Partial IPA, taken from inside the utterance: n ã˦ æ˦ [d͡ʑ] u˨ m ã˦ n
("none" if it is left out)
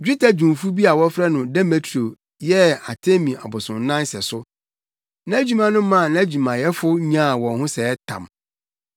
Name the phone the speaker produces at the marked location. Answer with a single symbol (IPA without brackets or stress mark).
d͡ʑ